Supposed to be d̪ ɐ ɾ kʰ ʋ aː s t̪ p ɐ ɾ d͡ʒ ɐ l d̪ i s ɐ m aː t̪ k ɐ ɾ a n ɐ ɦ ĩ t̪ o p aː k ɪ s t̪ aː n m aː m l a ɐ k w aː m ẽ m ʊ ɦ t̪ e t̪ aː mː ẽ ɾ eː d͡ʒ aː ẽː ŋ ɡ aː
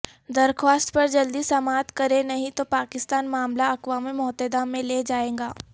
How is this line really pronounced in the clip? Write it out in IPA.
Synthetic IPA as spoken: d̪ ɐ ɾ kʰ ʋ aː s t̪ p ɐ ɾ d͡ʒ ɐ l d̪ i s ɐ m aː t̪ k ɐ ɾ e n ɐ ɦ ĩ t̪ o p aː k ɪ s t̪ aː n m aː m l a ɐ k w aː m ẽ m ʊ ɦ t̪ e d̪ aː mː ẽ l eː d͡ʒ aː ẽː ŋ ɡ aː